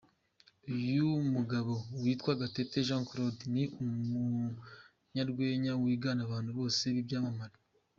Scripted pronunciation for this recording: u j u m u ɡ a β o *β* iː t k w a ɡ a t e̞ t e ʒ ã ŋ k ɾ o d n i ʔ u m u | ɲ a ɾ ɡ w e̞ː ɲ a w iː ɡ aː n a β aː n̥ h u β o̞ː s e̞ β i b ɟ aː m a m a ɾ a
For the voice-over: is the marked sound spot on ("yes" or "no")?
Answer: no